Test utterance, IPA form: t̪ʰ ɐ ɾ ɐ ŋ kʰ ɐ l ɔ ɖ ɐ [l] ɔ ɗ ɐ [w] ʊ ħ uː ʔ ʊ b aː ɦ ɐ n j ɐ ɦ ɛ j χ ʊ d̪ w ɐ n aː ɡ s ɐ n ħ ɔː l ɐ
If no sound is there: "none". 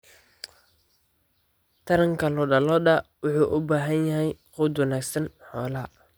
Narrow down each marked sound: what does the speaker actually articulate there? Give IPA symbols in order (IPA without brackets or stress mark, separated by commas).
l, w